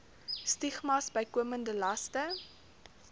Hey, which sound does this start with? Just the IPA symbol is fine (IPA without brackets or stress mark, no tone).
s